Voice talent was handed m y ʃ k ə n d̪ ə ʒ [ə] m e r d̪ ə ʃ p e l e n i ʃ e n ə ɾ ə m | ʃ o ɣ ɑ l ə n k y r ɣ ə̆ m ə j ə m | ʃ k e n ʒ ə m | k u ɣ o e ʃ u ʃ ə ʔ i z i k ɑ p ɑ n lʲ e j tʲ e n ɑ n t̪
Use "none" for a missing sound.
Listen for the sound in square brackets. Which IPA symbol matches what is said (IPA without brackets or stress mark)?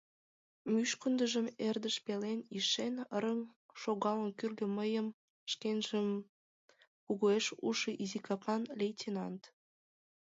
ə